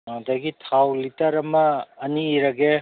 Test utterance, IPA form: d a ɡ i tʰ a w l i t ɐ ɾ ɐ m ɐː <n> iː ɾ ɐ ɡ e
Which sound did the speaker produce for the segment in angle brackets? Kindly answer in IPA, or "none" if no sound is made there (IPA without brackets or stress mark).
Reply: n